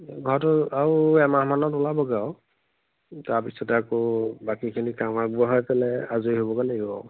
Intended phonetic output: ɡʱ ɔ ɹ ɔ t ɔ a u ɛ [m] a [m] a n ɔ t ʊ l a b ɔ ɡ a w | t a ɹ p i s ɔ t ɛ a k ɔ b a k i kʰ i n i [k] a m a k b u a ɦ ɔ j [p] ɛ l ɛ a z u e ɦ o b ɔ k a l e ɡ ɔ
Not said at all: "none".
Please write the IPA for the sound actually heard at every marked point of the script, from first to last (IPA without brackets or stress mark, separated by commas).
m, m, k, p